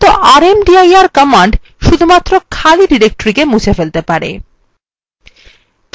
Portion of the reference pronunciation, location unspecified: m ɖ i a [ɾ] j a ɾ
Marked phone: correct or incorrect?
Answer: incorrect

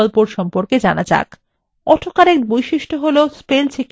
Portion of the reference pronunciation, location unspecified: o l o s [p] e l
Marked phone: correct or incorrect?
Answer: correct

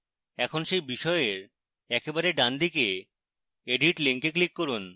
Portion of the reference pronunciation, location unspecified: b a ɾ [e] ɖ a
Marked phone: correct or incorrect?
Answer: correct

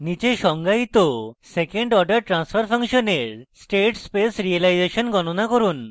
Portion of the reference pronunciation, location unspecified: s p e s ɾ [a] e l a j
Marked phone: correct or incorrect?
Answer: incorrect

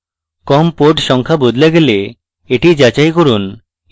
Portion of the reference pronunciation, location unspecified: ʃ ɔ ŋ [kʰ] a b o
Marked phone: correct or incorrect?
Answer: correct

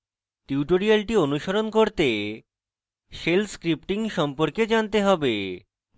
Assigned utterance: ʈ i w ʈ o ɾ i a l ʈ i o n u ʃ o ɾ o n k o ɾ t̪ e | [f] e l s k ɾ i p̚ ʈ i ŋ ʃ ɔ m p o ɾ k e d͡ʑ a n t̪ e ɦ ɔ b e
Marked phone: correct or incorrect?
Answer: incorrect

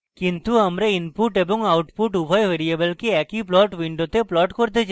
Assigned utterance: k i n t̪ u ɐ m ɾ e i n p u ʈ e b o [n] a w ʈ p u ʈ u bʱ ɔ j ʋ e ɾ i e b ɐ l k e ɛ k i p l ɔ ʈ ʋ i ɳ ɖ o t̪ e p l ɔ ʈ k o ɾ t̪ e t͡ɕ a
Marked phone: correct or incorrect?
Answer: incorrect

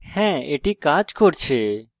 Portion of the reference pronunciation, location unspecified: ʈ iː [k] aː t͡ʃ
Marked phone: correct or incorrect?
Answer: correct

